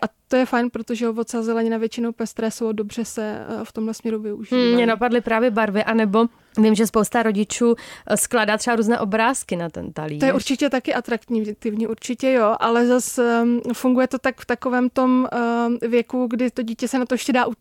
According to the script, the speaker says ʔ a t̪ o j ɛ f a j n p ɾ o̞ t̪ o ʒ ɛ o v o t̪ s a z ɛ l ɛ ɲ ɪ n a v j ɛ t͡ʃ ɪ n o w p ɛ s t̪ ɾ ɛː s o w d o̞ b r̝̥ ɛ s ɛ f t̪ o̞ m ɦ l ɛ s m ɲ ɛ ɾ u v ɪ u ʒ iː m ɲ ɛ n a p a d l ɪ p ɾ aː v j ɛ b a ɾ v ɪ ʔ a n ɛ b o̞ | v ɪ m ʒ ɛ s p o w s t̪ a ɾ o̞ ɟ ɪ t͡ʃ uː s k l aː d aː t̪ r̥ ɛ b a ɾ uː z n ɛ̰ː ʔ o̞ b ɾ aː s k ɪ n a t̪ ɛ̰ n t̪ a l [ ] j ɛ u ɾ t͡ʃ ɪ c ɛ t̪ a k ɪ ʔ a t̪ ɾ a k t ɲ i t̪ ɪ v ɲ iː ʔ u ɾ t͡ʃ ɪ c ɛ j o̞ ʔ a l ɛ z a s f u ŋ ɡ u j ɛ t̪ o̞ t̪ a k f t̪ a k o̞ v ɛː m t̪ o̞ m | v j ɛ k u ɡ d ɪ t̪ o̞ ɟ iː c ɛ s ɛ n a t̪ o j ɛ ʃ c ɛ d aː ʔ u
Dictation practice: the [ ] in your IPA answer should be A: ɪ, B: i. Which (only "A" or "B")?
B